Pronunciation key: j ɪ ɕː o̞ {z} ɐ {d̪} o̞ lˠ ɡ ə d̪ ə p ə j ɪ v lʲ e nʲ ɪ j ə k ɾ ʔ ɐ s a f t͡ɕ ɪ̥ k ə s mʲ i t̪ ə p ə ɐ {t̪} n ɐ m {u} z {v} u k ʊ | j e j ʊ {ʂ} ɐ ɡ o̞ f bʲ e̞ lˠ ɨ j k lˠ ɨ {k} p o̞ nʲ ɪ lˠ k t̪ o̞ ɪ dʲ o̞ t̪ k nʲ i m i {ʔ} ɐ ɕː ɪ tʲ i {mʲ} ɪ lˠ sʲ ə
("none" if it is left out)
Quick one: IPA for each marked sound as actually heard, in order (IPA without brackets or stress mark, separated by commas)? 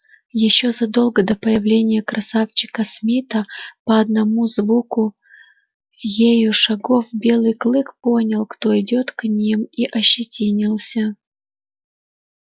z, d̪, d̪, u, v, ʂ, k, ʔ, nʲ